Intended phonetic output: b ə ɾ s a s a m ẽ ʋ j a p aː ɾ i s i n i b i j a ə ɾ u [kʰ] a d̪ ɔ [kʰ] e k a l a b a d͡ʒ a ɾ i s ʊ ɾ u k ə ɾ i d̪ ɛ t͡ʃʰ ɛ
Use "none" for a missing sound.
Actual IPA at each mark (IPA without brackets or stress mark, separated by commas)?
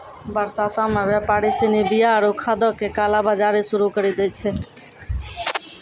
kʰ, k